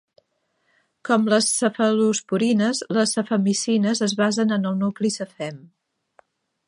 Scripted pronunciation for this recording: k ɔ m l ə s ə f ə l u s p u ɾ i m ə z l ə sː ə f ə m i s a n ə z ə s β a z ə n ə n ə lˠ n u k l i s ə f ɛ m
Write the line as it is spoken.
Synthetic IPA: k ɔ m l ə s ə f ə l u s p u ɾ i n ə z l ə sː ə f ə m i s i n ə z ə z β a z ə n ə n ə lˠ n u k l i s ə f ɛ m